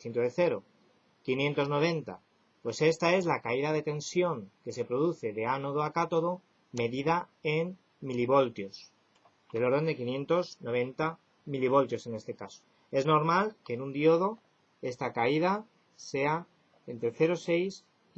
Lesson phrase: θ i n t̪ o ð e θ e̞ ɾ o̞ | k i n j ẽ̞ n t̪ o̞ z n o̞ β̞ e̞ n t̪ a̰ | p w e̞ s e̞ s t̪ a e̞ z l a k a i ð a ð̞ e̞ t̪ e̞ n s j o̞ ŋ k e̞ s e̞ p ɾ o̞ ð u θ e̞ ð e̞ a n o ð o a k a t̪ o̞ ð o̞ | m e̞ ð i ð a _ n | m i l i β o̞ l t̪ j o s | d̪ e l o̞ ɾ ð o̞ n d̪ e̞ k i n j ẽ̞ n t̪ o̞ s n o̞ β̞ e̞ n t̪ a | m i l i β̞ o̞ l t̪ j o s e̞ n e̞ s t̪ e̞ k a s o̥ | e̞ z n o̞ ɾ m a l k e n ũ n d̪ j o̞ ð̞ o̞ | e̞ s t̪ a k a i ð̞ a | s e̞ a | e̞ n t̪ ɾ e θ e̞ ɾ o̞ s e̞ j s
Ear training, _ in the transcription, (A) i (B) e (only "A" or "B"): B